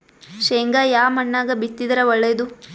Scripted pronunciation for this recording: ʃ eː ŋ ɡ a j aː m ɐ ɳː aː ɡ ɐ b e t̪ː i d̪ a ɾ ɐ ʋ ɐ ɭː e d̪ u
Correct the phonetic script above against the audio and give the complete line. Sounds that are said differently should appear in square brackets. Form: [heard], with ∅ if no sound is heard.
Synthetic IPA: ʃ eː ŋ ɡ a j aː m ɐ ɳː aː ɡ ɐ b [i] t̪ː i d̪ [ɐ] ɾ ɐ ʋ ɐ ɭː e d̪ u